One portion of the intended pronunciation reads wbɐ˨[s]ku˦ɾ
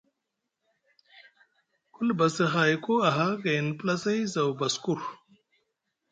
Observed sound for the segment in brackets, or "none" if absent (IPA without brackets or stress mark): s